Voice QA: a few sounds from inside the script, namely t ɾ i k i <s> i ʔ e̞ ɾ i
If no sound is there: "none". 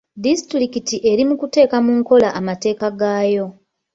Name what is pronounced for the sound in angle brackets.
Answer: t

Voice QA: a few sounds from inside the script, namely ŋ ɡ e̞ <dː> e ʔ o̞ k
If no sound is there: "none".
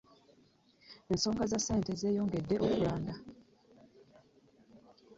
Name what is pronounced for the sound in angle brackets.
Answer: dː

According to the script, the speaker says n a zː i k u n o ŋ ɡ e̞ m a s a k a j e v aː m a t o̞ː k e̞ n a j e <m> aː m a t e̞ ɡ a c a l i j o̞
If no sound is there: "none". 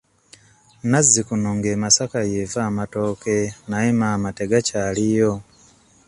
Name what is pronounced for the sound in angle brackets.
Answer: m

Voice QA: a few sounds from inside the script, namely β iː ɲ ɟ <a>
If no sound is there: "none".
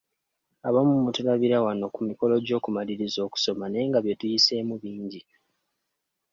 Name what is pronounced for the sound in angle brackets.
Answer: i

